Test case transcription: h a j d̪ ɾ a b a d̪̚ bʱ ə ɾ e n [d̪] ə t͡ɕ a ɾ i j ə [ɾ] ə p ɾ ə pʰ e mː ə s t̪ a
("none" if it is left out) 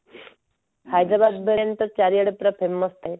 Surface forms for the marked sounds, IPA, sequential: t̪, ɽ

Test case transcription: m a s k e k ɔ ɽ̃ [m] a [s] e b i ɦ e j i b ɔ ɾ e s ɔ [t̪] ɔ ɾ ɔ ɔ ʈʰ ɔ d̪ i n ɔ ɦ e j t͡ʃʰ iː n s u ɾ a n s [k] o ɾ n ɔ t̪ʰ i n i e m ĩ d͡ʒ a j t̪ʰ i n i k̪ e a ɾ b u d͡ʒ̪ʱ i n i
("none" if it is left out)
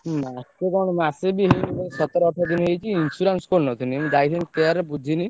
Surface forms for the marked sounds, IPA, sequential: m, s, t̪, k

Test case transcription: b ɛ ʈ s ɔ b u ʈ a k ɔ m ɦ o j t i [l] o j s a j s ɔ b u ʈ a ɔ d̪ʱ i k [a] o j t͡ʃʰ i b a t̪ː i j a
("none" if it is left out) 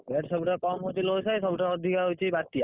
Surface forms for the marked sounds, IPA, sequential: l, a

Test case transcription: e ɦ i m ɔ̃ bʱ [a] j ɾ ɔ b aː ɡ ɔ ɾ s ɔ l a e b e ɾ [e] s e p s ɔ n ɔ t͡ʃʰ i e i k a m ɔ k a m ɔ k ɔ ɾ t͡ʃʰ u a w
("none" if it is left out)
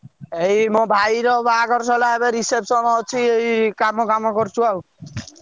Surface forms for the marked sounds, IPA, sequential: a, i

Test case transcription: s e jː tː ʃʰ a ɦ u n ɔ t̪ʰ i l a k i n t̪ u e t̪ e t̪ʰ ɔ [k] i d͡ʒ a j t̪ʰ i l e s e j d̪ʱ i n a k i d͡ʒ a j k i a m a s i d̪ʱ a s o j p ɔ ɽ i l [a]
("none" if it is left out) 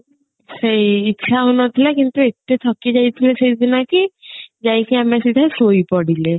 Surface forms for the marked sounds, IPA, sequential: k, e

